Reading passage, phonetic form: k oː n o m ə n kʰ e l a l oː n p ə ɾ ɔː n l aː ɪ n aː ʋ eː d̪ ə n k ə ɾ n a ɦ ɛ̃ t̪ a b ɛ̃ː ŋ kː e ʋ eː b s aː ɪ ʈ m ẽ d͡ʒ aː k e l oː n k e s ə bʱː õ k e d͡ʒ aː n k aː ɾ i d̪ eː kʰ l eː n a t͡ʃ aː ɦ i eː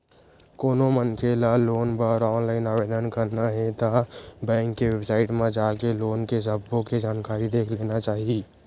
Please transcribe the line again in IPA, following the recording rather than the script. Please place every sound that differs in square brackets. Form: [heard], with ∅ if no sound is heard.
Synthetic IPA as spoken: k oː n o m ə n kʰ e l a l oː n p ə ɾ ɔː n l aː ɪ n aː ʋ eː d̪ ə n k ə ɾ n a ɦ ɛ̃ t̪ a b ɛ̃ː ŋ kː e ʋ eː b s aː ɪ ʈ m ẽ d͡ʒ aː k e l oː n k e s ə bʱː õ k e d͡ʒ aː n k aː ɾ i d̪ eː kʰ l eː n a t͡ʃ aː ɦ i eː